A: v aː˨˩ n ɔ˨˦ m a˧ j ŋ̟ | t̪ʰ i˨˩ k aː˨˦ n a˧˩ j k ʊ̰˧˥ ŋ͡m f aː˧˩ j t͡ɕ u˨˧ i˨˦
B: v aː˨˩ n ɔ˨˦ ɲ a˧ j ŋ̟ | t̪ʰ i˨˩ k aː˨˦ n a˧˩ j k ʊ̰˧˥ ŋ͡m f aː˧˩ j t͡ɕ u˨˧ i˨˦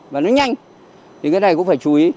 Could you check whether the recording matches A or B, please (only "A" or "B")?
B